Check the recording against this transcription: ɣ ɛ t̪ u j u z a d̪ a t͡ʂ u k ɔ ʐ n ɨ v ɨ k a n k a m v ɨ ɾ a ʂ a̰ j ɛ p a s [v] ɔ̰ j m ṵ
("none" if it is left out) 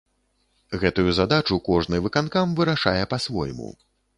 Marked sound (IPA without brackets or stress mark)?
v